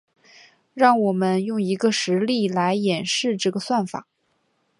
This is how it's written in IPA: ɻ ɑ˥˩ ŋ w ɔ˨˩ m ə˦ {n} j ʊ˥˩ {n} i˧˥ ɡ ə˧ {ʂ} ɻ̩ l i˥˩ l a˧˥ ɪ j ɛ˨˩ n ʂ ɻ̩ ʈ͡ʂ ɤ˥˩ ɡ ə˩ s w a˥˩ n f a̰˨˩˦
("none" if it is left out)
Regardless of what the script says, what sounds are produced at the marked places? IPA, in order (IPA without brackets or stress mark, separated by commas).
n, ŋ, ʂ